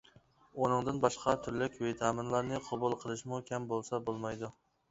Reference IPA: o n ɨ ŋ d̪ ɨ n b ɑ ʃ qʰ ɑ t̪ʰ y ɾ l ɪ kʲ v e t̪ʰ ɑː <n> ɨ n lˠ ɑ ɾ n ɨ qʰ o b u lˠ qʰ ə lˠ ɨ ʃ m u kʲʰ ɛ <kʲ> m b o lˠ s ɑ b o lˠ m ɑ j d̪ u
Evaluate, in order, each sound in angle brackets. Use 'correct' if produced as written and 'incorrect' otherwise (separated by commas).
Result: incorrect, incorrect